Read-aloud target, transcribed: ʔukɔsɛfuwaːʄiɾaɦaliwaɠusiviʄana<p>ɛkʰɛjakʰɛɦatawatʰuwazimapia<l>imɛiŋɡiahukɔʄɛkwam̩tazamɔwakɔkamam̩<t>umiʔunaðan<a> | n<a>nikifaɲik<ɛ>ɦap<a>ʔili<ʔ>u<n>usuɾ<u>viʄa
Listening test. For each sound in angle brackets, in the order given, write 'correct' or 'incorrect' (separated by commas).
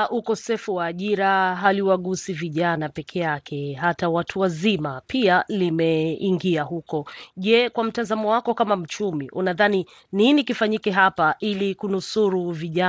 correct, correct, incorrect, incorrect, incorrect, correct, correct, incorrect, correct, correct